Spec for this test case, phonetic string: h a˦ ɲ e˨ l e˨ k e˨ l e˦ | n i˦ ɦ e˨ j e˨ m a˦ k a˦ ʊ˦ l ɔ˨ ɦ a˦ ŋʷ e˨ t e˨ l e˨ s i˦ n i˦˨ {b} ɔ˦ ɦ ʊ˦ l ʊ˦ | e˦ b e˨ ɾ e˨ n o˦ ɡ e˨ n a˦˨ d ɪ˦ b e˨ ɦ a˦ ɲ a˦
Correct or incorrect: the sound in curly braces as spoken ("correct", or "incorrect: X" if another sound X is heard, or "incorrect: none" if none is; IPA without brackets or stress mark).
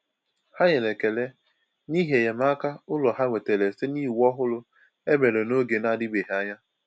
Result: incorrect: w